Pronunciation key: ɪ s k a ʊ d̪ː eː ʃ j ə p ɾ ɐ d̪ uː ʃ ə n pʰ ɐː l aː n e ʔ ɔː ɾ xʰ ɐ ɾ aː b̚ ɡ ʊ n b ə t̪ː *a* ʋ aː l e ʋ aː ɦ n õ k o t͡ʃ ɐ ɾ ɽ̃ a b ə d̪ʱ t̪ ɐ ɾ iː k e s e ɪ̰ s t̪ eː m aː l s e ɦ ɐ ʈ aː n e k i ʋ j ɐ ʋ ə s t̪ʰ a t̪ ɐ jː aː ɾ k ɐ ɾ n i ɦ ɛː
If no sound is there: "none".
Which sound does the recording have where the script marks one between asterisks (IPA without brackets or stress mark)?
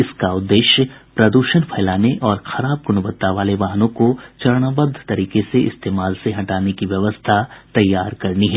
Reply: a